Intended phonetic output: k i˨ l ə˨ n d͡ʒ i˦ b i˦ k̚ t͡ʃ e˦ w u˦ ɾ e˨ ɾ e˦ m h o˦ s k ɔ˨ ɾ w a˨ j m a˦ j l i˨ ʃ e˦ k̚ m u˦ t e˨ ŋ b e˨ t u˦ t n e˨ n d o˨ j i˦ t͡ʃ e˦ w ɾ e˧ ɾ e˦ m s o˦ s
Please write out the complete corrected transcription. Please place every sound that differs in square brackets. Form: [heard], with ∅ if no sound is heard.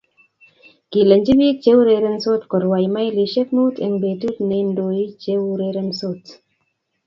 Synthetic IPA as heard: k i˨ l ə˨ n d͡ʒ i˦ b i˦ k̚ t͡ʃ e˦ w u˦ ɾ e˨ ɾ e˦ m [s] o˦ [t] k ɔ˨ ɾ w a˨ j m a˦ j l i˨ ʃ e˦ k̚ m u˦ t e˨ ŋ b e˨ t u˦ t n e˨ n d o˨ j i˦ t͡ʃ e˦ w ɾ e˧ ɾ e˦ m s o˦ [t]